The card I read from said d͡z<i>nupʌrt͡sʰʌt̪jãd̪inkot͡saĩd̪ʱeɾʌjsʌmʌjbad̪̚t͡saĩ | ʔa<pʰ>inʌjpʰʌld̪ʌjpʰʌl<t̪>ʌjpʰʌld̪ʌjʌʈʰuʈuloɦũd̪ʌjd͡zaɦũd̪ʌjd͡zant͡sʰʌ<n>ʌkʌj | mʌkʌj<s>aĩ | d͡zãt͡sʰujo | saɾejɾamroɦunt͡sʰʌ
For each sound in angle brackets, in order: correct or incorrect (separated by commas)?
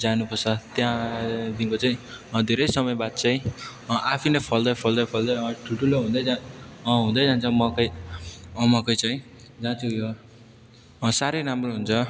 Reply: incorrect, correct, incorrect, incorrect, incorrect